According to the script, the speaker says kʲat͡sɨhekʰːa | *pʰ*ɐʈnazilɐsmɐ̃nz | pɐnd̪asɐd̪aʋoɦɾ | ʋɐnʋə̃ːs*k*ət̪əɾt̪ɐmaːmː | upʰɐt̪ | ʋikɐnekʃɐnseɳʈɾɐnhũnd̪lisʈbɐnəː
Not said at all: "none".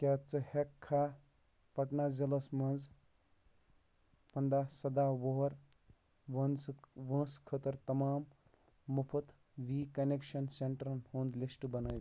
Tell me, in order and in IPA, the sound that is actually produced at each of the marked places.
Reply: p, kʰ

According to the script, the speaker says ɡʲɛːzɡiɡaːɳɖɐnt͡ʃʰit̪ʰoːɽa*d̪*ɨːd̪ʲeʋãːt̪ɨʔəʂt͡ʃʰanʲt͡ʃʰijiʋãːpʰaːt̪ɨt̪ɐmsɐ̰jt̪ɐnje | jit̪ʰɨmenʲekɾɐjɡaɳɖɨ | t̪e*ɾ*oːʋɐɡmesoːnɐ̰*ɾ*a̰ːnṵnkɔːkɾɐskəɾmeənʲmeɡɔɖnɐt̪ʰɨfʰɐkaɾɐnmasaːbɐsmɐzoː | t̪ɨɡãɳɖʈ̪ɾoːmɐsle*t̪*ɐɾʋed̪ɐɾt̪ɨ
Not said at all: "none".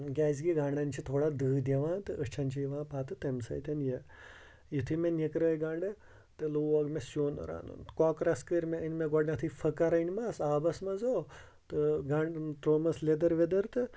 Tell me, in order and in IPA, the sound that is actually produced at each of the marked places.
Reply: d̪, l, ɾ, d̪

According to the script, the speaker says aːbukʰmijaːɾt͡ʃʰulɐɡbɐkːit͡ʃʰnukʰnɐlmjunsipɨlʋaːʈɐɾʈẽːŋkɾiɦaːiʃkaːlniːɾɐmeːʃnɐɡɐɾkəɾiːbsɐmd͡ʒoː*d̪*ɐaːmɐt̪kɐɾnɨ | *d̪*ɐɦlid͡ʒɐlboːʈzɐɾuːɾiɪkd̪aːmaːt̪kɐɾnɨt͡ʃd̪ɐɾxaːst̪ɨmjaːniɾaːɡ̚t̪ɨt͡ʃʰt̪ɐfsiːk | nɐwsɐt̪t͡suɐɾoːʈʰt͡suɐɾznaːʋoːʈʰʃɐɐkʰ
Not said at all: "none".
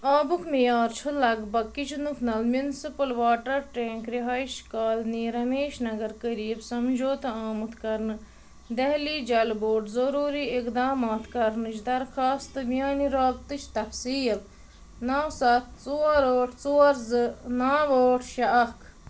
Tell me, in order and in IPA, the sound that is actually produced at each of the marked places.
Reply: t̪, d̪

